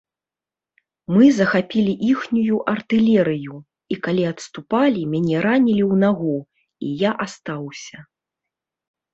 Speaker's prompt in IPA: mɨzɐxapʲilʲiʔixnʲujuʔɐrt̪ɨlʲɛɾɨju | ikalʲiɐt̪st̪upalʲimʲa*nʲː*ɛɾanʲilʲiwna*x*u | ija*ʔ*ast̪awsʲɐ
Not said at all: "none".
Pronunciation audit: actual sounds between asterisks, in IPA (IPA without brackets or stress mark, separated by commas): nʲ, ɣ, ʔ